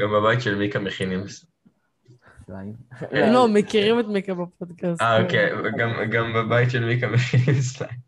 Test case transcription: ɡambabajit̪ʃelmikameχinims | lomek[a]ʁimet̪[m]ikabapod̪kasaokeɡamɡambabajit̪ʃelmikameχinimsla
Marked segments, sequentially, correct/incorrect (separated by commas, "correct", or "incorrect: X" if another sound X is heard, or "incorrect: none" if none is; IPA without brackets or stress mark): incorrect: i, correct